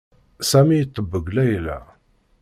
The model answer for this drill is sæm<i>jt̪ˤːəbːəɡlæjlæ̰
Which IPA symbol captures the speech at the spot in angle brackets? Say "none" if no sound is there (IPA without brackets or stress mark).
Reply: i